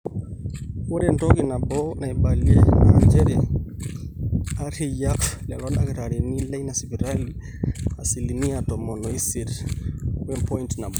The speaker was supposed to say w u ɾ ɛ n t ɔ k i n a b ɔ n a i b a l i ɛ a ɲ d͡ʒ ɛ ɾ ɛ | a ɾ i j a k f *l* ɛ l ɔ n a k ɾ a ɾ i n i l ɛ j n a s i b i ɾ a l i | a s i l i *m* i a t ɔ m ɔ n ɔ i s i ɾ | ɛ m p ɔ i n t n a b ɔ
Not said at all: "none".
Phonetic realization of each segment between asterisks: l, n

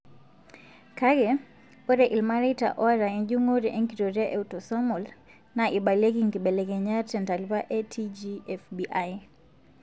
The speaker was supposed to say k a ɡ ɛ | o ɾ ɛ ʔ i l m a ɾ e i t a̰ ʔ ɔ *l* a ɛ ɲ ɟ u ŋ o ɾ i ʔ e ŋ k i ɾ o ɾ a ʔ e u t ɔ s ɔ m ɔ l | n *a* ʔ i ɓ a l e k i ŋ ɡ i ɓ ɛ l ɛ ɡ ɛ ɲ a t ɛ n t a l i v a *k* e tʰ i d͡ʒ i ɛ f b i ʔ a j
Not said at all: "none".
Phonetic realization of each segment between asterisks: ɾ, a, ʔ

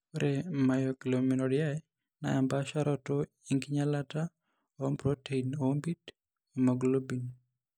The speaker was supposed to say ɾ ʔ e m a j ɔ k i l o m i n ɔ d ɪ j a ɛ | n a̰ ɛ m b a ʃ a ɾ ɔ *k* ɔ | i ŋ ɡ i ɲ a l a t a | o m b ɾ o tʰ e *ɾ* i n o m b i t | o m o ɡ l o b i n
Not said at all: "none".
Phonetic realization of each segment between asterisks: t, none

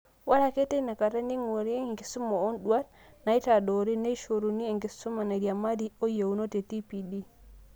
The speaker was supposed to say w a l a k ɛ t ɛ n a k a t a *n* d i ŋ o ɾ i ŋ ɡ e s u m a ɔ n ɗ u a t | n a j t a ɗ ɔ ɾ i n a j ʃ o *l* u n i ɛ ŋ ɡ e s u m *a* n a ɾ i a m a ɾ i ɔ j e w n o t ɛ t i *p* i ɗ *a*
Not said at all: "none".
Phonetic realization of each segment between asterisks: n, ɾ, a, p, i

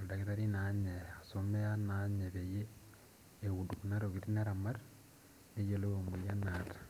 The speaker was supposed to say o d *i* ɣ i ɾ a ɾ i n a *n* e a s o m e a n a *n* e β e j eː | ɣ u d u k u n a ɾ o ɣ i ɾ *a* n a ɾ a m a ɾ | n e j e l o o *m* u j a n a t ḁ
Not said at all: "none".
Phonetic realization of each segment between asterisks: a, ɲ, ɲ, i, m

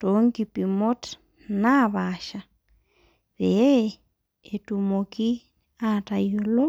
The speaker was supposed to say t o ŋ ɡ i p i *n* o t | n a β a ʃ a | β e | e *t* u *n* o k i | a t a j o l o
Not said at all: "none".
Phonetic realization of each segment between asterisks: m, t, m

